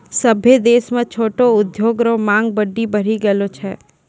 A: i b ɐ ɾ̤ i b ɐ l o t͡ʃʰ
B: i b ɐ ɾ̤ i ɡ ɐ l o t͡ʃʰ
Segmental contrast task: B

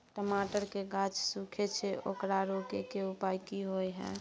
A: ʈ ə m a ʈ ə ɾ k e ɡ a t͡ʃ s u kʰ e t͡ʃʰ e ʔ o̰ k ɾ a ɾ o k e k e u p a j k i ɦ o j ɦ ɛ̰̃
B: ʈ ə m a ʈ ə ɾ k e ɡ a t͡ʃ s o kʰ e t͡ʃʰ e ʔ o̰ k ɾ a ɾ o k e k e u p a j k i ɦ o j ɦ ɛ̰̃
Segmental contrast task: A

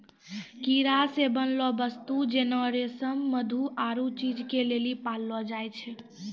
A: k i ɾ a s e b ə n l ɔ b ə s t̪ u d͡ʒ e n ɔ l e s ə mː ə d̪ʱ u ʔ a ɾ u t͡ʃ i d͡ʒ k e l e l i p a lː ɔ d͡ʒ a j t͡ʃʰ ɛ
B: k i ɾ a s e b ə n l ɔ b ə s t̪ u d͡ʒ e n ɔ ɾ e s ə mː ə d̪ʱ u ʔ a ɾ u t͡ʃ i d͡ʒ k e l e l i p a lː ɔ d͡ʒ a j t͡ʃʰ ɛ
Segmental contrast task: B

